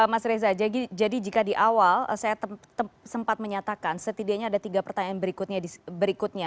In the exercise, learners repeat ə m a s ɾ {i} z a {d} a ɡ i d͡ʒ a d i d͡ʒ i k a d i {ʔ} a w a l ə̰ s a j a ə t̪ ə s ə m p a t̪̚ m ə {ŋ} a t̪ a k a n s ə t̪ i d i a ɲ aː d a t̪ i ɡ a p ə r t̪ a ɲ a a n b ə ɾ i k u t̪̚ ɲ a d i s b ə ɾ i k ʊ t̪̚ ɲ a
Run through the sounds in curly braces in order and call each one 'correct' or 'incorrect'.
incorrect, incorrect, correct, incorrect

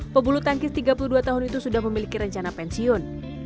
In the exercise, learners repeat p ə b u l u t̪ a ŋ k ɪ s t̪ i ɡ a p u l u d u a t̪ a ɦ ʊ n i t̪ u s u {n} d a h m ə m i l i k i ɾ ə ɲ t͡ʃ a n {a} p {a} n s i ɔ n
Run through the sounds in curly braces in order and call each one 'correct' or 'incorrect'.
incorrect, correct, incorrect

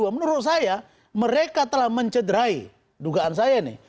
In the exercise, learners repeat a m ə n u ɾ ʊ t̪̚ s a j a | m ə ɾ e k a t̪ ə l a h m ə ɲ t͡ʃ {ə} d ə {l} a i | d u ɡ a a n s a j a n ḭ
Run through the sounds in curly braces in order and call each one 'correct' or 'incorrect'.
correct, incorrect

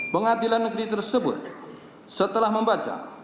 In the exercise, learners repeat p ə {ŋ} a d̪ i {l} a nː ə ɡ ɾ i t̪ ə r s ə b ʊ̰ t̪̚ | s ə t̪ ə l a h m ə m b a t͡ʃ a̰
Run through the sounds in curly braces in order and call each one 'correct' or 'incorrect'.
correct, correct

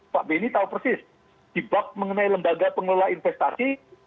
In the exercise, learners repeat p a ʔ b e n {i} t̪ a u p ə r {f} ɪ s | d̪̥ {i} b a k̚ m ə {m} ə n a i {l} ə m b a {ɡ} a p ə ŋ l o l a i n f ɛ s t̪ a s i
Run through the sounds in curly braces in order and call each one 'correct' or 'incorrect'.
correct, incorrect, correct, incorrect, correct, correct

